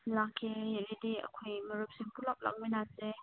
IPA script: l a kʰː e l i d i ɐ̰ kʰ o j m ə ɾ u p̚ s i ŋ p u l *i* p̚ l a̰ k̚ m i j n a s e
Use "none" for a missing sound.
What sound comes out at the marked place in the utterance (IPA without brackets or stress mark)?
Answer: a